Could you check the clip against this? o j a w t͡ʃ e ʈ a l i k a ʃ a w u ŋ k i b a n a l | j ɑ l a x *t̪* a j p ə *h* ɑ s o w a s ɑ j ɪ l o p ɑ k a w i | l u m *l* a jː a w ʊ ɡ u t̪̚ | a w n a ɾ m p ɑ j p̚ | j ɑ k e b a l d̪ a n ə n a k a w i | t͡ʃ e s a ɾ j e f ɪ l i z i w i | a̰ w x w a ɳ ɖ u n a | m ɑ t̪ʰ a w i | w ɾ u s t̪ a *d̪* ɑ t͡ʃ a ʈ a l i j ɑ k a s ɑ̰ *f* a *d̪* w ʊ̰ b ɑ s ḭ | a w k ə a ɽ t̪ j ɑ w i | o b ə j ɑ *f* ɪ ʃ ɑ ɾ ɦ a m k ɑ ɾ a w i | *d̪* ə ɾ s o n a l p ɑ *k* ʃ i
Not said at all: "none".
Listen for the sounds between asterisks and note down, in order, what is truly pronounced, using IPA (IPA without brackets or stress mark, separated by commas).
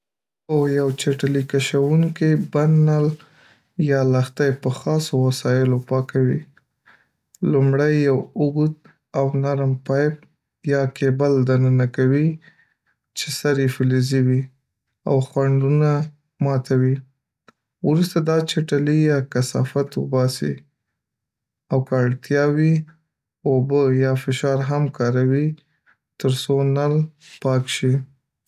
t̪, x, ɽ, d̪, f, t̪, f, t̪, k